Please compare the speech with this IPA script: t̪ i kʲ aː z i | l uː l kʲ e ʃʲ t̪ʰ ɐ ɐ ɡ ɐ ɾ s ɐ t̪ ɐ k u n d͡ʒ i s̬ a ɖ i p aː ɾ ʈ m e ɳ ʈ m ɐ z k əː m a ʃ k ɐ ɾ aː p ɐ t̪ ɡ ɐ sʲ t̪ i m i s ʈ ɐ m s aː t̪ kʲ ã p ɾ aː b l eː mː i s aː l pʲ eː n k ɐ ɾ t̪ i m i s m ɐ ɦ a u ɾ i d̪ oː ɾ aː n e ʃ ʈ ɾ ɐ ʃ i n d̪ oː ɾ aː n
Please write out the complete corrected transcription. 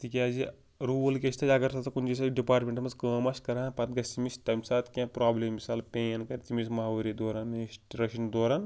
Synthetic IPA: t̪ i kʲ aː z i | ɾ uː l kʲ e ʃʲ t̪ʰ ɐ ɐ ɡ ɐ ɾ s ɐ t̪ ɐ k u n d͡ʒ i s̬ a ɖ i p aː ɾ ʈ m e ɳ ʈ m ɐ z k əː m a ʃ k ɐ ɾ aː p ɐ t̪ ɡ ɐ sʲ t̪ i m i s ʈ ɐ m s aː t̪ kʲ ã p ɾ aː b l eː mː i s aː l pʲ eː n k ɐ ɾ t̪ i m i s m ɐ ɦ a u ɾ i d̪ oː ɾ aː n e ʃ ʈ ɾ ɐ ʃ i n d̪ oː ɾ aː n